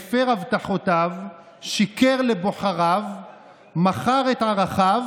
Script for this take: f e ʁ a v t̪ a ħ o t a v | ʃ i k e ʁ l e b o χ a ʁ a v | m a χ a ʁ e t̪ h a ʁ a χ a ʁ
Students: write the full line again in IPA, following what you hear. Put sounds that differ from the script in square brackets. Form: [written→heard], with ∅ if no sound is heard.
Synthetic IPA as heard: f e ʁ a v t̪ a ħ o t a v | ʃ i k e ʁ l e b o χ a ʁ a v | m a χ a ʁ e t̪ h a ʁ a χ a [ʁ→v]